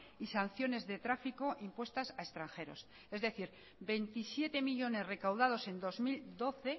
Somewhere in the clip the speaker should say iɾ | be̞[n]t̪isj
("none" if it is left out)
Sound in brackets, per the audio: n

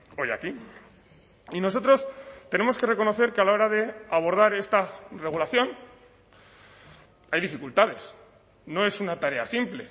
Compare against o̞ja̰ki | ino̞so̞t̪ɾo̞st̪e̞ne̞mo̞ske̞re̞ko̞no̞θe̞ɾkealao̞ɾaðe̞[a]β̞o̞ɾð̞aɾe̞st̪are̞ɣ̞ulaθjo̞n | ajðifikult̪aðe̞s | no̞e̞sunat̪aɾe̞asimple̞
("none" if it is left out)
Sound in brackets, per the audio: a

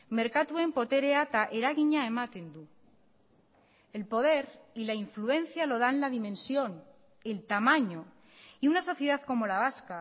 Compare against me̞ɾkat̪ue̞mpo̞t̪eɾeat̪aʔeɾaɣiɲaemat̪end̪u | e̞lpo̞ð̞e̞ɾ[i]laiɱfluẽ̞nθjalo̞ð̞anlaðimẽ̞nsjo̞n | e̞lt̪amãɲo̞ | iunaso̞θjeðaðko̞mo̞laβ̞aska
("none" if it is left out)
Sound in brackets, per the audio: i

